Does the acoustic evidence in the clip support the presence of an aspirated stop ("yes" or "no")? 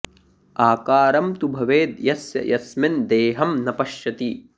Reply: no